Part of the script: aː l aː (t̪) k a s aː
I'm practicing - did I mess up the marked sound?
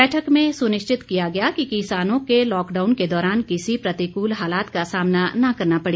no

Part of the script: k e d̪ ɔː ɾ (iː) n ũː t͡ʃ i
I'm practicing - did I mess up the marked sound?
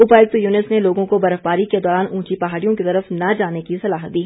yes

